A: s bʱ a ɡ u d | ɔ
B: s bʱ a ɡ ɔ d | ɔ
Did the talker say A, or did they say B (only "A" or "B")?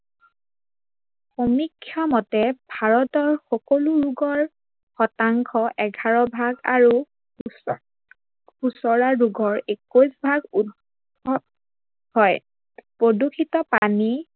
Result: A